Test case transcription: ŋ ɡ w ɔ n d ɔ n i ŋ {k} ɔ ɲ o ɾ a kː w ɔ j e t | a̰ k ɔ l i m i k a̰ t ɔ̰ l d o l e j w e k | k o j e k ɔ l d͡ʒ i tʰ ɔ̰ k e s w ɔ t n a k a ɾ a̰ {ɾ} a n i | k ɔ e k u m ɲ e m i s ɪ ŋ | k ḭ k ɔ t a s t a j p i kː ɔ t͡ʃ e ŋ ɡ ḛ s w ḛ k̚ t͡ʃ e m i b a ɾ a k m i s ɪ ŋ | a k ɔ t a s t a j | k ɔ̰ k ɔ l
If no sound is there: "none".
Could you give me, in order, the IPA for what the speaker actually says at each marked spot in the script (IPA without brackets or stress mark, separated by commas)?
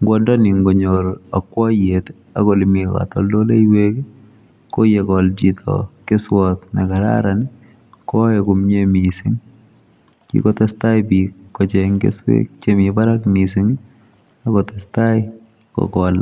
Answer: ɡ, ɾ